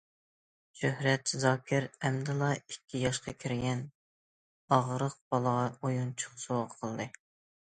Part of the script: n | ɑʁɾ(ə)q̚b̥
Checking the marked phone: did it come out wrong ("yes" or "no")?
no